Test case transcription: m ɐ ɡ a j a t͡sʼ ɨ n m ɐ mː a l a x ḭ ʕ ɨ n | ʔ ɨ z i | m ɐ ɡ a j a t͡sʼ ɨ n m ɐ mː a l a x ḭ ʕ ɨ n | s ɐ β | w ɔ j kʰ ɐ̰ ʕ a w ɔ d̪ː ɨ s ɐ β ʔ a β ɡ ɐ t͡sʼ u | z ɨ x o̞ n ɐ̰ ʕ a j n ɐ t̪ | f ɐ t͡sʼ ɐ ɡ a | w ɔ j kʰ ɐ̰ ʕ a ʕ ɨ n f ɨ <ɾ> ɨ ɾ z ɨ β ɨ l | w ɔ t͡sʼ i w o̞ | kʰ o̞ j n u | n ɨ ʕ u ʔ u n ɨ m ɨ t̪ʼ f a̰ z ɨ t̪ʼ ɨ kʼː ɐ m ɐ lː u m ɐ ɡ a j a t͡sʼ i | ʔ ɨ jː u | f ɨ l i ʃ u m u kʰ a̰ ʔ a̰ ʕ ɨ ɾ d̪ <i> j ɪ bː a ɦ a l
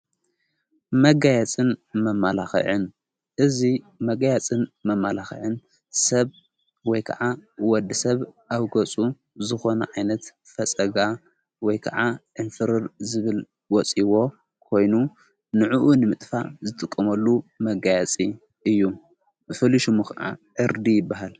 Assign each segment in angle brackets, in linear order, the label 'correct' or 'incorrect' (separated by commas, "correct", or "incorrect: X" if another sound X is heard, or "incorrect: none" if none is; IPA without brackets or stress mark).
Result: correct, correct